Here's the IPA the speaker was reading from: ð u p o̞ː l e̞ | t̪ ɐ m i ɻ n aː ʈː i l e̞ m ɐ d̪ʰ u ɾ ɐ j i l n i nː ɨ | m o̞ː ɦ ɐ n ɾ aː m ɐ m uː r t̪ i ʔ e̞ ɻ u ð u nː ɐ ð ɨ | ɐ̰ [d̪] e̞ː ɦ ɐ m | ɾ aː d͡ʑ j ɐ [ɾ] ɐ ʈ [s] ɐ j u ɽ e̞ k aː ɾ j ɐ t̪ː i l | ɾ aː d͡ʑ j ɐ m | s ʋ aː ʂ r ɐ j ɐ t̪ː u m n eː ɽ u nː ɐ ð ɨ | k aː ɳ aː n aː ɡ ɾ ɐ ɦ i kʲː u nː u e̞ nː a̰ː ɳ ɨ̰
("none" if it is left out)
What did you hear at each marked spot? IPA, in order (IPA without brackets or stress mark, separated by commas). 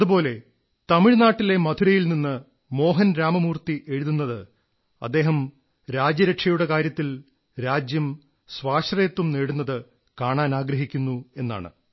d̪ː, ɾ, ʂ